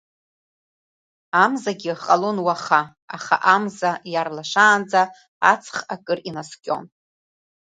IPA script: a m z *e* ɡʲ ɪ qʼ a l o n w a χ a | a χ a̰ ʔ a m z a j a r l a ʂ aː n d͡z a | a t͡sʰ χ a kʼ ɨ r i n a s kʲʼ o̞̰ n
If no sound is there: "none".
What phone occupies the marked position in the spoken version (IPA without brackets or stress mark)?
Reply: a